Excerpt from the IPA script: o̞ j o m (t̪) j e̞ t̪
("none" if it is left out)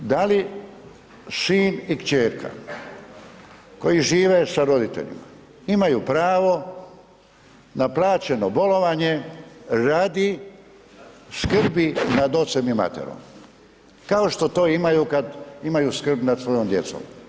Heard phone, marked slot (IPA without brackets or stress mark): d̪